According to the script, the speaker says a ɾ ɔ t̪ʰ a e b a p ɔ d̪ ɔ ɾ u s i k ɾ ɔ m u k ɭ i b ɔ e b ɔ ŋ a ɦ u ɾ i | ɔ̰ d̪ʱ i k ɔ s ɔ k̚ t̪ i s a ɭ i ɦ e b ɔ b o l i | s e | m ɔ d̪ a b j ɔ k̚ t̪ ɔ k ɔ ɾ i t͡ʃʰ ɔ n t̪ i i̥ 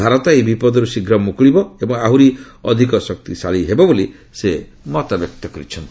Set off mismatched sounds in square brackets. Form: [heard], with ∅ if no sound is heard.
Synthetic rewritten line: a ɾ ɔ [t̪] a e b [i] p ɔ d̪ ɔ ɾ u s i [ɡ] ɾ ɔ m u k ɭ i b ɔ e b ɔ ŋ a ɦ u ɾ i | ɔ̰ d̪ʱ i k ɔ s ɔ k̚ t̪ i s a ɭ i ɦ e b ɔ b o l i | s e | m ɔ [t̪] a b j ɔ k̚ t̪ ɔ k ɔ ɾ i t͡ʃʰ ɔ n t̪ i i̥